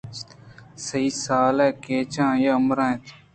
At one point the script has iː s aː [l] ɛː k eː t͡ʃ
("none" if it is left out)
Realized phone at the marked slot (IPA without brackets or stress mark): l